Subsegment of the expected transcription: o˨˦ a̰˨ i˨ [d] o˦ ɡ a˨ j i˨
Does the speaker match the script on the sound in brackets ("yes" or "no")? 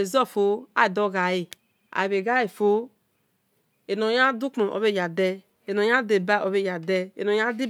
yes